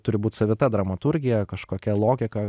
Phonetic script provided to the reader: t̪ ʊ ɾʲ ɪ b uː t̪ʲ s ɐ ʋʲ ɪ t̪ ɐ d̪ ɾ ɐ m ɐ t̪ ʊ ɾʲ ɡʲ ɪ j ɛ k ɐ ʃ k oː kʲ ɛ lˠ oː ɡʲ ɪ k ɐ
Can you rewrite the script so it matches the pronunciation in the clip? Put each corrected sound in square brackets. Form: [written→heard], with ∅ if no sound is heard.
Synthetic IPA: t̪ ʊ ɾʲ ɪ b uː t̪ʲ s ɐ ʋʲ ɪ t̪ ɐ d̪ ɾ ɐ m ɐ t̪ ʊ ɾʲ ɡʲ ɪ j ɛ k ɐ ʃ k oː kʲ ɛ lˠ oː ɡʲ ɪ k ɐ